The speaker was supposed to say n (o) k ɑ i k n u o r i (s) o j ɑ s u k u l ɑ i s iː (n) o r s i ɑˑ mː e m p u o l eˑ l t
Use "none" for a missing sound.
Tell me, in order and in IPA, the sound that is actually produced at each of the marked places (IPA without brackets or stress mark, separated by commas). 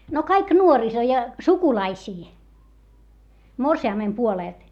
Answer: o, s, m